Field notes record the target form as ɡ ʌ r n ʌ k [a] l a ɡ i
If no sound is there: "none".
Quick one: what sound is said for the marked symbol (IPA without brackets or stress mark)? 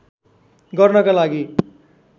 a